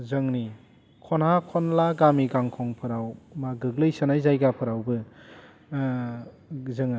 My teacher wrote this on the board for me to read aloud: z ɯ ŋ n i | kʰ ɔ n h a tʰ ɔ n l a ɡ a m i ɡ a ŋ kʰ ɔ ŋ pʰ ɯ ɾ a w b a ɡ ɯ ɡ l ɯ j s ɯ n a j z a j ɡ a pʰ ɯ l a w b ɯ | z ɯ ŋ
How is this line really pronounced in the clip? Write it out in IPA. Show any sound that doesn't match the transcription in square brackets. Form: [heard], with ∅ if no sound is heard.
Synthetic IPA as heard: z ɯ ŋ n i | kʰ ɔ n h a [kʰ] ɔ n l a ɡ a m i ɡ a ŋ kʰ ɔ ŋ pʰ ɯ ɾ a w [m] a ɡ ɯ ɡ l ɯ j s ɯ n a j z a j ɡ a pʰ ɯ [ɾ] a w b ɯ | z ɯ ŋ